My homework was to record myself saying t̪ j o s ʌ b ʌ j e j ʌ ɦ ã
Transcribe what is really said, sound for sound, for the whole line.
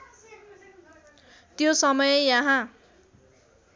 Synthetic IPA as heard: t̪ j o s ʌ m ʌ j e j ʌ ɦ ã